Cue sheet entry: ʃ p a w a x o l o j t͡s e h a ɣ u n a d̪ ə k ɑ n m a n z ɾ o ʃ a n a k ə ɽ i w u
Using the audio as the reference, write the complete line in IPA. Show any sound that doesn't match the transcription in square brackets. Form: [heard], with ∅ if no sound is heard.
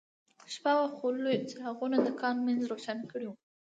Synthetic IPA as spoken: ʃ p a w a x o l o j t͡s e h a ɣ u n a d̪ ə k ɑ n m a n z ɾ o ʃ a n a k ə ɽ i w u